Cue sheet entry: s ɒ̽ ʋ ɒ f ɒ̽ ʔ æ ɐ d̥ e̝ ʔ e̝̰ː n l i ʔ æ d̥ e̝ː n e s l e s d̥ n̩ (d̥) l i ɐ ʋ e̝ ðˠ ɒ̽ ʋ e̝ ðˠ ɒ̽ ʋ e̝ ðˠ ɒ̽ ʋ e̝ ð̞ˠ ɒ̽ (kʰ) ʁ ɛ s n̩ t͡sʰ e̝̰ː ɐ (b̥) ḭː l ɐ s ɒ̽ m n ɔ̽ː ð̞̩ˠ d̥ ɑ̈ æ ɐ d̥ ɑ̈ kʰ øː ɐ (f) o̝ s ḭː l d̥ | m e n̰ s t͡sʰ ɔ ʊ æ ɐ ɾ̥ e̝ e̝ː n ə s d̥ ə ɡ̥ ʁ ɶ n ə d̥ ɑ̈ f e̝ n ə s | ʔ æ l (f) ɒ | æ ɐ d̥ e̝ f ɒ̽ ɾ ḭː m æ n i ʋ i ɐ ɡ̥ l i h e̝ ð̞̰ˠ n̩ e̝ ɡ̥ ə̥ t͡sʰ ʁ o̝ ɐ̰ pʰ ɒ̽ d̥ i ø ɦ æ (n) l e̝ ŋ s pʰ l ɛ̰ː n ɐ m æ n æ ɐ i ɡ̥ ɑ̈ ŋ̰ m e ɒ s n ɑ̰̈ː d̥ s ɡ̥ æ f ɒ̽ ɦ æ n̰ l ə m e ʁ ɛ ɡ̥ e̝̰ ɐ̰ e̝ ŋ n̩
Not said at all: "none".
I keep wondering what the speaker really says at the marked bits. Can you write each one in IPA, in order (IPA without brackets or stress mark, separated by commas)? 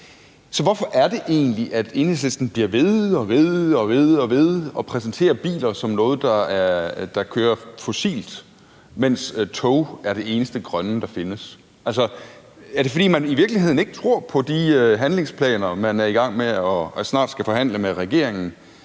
b̥, pʰ, b̥, f, s, n